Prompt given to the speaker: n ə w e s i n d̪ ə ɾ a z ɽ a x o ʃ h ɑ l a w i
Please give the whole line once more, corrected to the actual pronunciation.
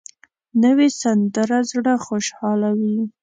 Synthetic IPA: n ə w e s a n d̪ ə ɾ a z ɽ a x o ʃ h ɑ l a w i